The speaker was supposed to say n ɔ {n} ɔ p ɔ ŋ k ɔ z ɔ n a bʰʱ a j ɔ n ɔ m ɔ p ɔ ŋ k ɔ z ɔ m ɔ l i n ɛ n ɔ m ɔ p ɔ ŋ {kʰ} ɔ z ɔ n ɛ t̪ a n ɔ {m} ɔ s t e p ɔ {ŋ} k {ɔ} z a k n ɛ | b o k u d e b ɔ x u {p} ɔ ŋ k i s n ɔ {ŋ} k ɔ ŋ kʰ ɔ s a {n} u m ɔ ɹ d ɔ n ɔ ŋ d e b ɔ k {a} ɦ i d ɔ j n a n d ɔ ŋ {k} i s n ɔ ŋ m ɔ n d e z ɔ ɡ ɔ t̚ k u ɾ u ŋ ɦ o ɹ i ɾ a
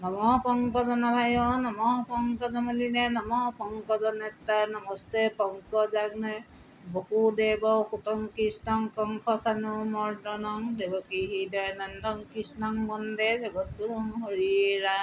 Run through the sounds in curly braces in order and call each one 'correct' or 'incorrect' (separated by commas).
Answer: incorrect, incorrect, correct, correct, correct, incorrect, correct, correct, incorrect, correct